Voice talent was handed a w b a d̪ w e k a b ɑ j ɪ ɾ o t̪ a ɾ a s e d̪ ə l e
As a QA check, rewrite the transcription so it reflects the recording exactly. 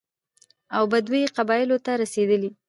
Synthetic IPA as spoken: a w b a d̪ w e q a b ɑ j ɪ l o t̪ a ɾ a s e d̪ ə l i

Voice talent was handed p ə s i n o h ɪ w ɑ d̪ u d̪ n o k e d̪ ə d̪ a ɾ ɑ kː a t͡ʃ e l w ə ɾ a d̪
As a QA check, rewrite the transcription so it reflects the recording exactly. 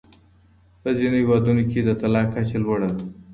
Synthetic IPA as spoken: p ə z i n o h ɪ w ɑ d̪ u n o k e d̪ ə t̪ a l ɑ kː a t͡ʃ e l w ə ɽ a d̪

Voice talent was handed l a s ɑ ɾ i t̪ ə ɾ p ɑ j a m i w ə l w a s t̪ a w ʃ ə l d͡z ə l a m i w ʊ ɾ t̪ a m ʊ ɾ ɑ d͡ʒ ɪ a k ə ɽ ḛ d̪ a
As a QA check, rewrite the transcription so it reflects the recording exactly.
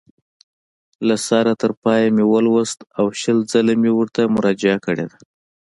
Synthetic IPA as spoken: l a s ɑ ɾ a t̪ ə ɾ p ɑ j a m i w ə l w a s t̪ a w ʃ ə l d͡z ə l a m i w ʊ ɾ t̪ a m ʊ ɾ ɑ d͡ʒ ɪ a k ə ɽ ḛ d̪ a

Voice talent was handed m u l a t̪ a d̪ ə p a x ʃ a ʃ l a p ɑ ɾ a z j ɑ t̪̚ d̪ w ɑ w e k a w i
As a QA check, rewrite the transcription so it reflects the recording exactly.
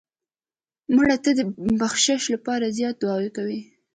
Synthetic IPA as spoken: m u ɽ a t̪ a d̪ ə b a x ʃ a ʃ l a p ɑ ɾ a z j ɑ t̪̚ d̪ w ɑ w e k a w i

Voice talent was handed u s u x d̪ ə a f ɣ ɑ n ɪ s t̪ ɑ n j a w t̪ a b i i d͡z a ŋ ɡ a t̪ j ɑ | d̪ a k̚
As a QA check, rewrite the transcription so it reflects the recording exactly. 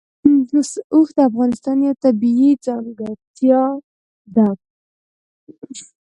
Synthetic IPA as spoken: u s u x d̪ ə a f ɣ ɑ n ɪ s t̪ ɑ n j a w t̪ a b i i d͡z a ŋ ɡ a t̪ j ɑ | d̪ a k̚

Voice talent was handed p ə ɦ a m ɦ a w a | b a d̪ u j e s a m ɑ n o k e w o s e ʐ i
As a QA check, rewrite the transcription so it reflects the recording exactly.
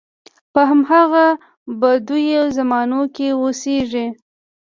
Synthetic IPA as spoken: p ə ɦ a m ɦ a ɣ a | b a d̪ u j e z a m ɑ n o k e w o s e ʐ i

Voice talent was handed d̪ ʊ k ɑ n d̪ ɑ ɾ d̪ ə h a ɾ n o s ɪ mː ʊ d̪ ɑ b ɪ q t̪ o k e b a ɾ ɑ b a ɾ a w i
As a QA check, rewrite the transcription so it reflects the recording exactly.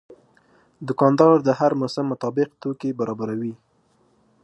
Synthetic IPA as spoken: d̪ ʊ k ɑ n d̪ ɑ ɾ d̪ ə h a ɾ m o s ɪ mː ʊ t̪ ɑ b ɪ q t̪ o k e b a ɾ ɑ b a ɾ a w i

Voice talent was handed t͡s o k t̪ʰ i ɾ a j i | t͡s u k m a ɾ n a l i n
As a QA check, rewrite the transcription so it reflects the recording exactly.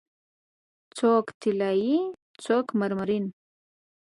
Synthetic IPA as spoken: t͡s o k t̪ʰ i l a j i | t͡s o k m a ɾ m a ɾ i n

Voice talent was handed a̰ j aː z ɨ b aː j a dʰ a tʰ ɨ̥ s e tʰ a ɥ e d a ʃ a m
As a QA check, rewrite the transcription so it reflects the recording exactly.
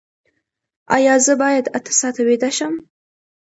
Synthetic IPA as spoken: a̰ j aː z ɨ b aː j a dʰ a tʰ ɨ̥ s a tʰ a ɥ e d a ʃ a m

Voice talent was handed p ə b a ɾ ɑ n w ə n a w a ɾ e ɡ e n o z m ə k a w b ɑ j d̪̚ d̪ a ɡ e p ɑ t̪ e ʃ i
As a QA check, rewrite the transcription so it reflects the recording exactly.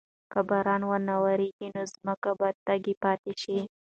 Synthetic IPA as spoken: k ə b a ɾ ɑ n w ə n a w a ɾ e ɡ i n o z m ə k a b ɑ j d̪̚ t̪ a ɡ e p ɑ t̪ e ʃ i

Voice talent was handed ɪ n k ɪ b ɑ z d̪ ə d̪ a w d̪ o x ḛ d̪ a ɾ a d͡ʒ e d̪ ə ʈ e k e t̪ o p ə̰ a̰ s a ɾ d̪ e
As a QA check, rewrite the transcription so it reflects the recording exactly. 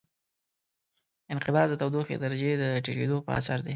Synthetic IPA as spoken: ɪ n q ɪ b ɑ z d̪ ə t̪ a w d̪ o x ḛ d̪ a ɾ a d͡ʒ e d̪ ə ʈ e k e d̪ o p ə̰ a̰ s a ɾ d̪ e

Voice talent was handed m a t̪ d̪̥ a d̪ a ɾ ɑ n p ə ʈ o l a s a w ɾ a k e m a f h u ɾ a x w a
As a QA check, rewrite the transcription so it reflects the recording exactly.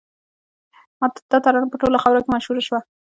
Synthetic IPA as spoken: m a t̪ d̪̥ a t̪ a ɾ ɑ n p ə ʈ o l a x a w ɾ a k e m a ʃ h u ɾ a ʃ w a

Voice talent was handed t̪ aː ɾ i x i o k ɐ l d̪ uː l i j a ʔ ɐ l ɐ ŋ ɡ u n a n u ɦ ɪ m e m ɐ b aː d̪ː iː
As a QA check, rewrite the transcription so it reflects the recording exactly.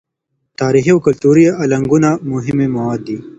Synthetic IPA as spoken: t̪ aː ɾ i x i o k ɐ l t̪ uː ɾ i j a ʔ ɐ l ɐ ŋ ɡ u n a m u ɦ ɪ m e m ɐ w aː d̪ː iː

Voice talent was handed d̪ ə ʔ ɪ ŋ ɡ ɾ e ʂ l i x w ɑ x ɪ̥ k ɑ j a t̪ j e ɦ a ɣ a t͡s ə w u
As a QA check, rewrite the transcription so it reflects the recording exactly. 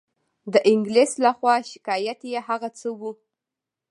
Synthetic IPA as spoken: d̪ ə ʔ ɪ ŋ ɡ l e s l a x w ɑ ʃ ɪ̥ k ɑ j a t̪ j e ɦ a ɣ a t͡s ə w u

